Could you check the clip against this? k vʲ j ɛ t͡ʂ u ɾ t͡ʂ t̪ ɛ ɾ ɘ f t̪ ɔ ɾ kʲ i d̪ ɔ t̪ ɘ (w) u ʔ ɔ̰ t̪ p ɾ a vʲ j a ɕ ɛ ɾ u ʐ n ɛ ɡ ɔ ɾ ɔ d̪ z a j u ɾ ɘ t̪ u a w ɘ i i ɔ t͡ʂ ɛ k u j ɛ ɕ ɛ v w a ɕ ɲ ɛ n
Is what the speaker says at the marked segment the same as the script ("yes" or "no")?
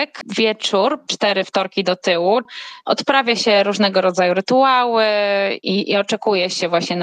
yes